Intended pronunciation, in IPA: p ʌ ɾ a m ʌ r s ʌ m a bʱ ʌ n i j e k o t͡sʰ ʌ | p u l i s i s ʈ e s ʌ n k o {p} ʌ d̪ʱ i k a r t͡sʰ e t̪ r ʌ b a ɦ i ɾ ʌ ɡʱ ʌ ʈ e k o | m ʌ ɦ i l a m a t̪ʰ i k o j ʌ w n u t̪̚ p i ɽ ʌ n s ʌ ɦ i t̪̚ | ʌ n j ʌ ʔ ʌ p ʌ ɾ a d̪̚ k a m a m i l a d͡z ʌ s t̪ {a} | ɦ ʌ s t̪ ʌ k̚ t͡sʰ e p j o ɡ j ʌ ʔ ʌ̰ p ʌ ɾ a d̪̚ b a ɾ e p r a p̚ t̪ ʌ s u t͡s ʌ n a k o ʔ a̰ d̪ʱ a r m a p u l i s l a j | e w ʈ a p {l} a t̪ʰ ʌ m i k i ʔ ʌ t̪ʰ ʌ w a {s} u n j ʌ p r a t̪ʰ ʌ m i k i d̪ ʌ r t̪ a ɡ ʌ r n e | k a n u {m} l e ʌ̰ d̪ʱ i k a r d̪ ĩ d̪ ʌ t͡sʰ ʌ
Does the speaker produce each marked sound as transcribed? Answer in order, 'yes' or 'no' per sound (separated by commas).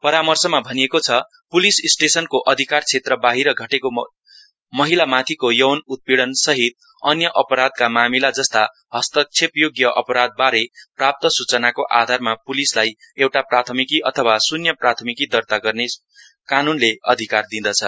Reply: no, yes, no, yes, no